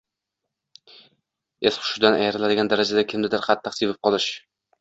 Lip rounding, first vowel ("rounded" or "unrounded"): unrounded